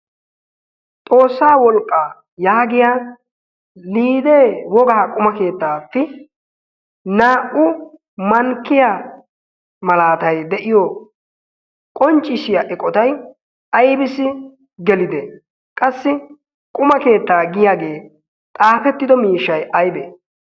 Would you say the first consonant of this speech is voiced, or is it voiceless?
voiceless